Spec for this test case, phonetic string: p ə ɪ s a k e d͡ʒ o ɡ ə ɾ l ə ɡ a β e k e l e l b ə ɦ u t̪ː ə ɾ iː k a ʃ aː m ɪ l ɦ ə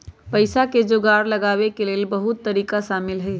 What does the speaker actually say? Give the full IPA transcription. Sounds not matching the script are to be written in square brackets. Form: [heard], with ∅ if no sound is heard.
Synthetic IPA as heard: p ə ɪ s a k e d͡ʒ o ɡ [a] ɾ l ə ɡ a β e k e l e l b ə ɦ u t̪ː ə ɾ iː k a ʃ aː m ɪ l ɦ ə